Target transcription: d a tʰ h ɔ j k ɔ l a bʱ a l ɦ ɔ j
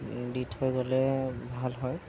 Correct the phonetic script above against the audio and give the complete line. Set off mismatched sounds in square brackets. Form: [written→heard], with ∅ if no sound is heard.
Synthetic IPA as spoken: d [a→i] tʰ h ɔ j [k→ɡ] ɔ l [a→ɛ] bʱ a l ɦ ɔ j

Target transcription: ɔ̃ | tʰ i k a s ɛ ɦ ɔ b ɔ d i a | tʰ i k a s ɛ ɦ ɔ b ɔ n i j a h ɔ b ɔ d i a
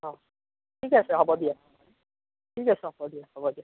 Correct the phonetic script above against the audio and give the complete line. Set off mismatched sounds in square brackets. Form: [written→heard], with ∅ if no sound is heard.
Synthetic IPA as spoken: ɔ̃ | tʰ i k a s ɛ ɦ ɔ b ɔ d i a | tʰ i k a s ɛ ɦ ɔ b ɔ [n→d] i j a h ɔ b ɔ d i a

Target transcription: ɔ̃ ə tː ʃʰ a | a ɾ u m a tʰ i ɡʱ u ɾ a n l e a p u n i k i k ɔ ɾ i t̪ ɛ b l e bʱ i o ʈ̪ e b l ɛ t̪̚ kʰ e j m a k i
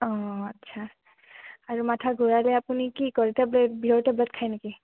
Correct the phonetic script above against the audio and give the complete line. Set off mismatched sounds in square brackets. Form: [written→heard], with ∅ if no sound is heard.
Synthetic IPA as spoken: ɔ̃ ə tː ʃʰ a | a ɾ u m a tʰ [i→a] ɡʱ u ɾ a [n→∅] l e a p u n i k i k ɔ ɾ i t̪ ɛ b l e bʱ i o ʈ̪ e b l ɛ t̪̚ kʰ [e→a] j [m→n] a k i

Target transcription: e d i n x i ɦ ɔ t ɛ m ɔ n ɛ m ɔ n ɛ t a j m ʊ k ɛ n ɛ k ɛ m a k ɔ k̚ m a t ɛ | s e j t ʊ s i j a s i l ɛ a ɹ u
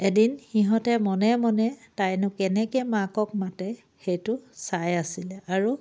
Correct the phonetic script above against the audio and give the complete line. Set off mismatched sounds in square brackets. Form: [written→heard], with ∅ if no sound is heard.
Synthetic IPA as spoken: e d i n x i ɦ ɔ t ɛ m ɔ n ɛ m ɔ n ɛ t a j [m→n] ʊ k ɛ n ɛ k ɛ m a k ɔ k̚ m a t ɛ | [s→x] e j t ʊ s [i→a] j a s i l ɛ a ɹ u

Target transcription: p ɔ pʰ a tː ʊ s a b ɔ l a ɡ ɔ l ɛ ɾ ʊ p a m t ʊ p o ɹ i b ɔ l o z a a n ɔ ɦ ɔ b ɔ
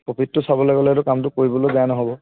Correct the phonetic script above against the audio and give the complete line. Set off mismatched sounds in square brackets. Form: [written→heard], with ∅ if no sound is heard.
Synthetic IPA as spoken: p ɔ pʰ [a→i] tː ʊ s a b ɔ l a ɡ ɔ l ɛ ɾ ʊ [p→k] a m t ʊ [p→k] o ɹ i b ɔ l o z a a n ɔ ɦ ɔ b ɔ

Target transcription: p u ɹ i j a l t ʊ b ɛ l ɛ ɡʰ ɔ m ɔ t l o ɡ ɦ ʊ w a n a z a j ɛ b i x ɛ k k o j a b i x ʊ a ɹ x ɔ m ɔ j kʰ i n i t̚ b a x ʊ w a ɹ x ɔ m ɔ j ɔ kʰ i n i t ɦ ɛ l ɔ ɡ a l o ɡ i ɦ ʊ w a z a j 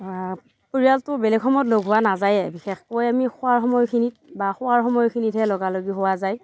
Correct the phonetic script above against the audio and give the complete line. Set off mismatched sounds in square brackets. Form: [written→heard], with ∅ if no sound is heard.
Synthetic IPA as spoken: p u ɹ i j a l t ʊ b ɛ l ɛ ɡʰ ɔ m ɔ t l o ɡ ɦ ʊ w a n a z a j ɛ b i x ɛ [k→x] k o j a [b→m] i x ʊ a ɹ x ɔ m ɔ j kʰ i n i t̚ b a x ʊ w a ɹ x ɔ m ɔ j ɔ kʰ i n i t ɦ ɛ l ɔ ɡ a l o ɡ i ɦ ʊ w a z a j

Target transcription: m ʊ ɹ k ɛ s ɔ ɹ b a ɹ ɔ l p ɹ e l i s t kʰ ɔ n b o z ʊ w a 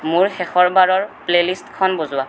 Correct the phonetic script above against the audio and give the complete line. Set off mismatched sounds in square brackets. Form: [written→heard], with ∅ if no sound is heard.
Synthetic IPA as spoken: m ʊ ɹ [k→x] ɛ [s→x] ɔ ɹ b a ɹ ɔ [l→ɹ] p [ɹ→l] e l i s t kʰ ɔ n b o z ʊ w a

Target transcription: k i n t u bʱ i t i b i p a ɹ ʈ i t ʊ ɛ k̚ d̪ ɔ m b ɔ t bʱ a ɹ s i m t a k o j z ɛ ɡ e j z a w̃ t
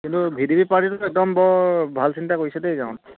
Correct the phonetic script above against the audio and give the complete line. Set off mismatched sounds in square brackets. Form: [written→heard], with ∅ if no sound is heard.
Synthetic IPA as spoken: k i n t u bʱ i [t→d] i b i p a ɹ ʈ i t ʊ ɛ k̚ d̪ ɔ m b ɔ [t→∅] bʱ a [ɹ→l] s i [m→n] t a k o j [z→s] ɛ [ɡ→d] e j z a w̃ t

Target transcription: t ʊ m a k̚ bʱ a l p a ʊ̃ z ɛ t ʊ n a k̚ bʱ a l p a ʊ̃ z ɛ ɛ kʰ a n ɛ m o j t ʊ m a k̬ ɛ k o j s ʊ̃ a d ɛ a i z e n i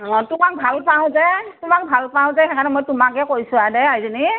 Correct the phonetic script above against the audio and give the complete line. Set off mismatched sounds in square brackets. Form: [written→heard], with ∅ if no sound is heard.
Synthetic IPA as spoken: t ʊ m a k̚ bʱ a l p a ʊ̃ z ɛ t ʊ [n→m] a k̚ bʱ a l p a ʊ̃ z ɛ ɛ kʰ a n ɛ m o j t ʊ m a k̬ ɛ k o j s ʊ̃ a d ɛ a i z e n i

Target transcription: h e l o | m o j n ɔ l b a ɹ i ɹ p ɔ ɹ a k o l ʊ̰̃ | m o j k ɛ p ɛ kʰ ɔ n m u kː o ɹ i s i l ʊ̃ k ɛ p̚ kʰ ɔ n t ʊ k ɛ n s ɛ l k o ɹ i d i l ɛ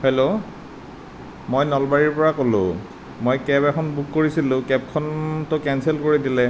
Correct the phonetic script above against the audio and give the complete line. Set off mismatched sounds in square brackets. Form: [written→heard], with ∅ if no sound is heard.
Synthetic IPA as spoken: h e l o | m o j n ɔ l b a ɹ i ɹ p ɔ ɹ a k o l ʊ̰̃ | m o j k ɛ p ɛ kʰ ɔ n [m→b] u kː o ɹ i s i l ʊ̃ k ɛ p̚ kʰ ɔ n t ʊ k ɛ n s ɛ l k o ɹ i d i l ɛ

